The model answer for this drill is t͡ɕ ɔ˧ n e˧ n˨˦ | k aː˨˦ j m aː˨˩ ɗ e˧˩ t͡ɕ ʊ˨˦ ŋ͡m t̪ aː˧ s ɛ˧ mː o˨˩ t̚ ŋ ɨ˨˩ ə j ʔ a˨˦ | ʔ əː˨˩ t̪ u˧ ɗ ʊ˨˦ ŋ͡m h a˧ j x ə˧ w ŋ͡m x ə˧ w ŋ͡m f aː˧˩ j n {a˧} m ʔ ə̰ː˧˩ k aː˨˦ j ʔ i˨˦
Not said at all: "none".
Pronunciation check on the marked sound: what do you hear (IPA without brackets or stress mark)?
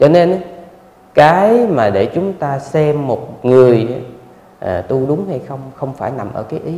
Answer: a˨˩